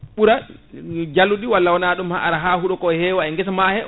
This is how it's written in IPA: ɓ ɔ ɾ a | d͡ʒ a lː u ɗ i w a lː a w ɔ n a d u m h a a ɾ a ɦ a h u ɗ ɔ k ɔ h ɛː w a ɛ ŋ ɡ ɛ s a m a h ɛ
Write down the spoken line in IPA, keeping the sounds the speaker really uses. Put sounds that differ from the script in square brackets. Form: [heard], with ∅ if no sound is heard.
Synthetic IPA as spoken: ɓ [u] ɾ a | d͡ʒ a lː u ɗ i w a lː a w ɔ n a [ɗ] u m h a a ɾ a ɦ a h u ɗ ɔ k ɔ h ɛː w a ɛ ŋ ɡ ɛ s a m a h ɛ